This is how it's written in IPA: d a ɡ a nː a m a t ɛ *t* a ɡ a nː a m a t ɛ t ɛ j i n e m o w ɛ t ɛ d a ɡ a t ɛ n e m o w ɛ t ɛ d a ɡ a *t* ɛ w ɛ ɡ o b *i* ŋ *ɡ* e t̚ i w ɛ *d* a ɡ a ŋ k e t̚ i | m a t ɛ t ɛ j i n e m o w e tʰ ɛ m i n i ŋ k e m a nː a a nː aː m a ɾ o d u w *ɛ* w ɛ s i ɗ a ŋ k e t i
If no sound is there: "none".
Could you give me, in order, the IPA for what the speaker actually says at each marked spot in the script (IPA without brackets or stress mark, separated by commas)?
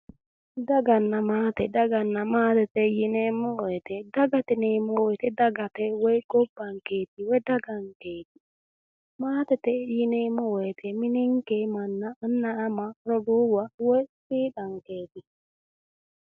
d, t, a, k, d, a